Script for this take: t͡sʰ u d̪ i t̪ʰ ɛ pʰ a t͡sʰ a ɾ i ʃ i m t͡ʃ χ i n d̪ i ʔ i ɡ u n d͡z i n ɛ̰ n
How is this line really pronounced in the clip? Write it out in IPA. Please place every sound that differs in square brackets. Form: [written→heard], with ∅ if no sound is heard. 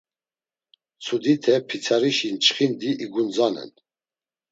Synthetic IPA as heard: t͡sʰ u d̪ i t̪ʰ ɛ pʰ [a→i] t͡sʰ a ɾ i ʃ i [m→n] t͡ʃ χ i n d̪ i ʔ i ɡ u n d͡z [i→a] n ɛ̰ n